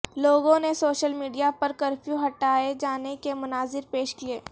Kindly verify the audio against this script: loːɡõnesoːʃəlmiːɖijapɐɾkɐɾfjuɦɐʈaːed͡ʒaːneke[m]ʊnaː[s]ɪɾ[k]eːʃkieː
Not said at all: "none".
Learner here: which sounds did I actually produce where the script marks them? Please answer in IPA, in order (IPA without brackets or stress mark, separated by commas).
m, z, p